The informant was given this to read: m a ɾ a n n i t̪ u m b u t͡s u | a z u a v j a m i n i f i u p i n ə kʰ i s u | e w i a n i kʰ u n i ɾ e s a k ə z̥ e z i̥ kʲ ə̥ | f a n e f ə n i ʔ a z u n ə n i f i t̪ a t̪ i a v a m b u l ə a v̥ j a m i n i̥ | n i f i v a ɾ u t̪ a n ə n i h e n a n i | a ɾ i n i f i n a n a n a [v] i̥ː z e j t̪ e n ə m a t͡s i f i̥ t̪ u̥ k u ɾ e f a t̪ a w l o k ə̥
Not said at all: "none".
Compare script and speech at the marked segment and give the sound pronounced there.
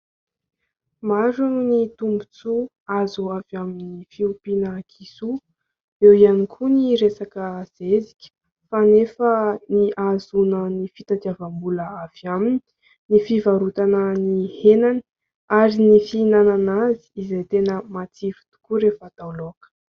z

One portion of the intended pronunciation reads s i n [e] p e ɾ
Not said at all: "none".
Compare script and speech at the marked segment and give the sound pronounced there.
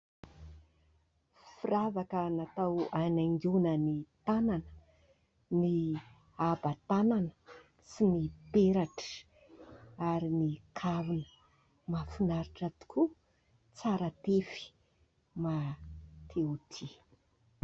i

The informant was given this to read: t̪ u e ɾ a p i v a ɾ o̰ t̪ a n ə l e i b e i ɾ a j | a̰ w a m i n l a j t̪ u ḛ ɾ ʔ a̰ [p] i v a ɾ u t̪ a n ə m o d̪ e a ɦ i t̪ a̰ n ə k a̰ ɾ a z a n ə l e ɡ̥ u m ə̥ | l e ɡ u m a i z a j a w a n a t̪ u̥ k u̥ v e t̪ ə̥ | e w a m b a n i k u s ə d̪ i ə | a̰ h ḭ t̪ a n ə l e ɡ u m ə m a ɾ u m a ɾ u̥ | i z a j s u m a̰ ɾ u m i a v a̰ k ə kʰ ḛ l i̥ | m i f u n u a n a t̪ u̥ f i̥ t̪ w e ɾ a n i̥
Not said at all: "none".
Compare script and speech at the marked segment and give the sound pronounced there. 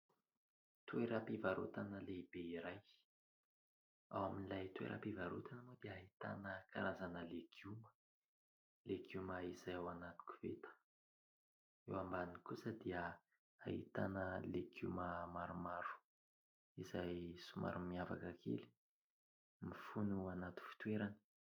p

